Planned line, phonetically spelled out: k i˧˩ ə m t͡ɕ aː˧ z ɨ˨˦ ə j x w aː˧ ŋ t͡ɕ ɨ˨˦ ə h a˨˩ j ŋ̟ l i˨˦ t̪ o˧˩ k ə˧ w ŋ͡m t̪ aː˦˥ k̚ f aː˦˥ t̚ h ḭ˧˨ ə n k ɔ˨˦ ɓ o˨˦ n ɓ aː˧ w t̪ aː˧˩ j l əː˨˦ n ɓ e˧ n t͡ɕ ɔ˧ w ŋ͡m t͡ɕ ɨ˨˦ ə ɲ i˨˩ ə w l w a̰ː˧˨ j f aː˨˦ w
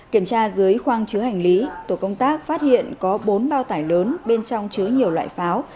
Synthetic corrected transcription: k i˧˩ ə m t͡ɕ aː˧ z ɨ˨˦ ə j x w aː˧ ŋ t͡ɕ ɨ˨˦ ə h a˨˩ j ŋ̟ l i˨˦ t̪ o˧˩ k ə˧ w ŋ͡m t̪ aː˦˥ k̚ f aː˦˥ t̚ h ḭ˧˨ ə n k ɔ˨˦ ɓ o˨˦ n ɓ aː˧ w t̪ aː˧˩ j l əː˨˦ n ɓ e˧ n t͡ɕ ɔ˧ w ŋ͡m t͡ɕ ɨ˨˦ ə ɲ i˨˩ ə w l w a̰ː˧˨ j f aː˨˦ w